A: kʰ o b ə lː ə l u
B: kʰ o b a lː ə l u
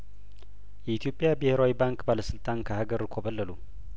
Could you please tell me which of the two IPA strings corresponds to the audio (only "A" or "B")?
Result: A